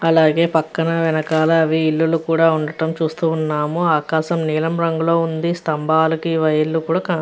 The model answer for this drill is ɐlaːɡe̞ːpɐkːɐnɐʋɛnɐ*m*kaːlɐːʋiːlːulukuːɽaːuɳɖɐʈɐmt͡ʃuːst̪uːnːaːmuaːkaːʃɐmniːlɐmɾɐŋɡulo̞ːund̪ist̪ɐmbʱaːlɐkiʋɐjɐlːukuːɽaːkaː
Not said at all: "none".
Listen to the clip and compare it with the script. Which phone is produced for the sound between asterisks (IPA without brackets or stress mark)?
none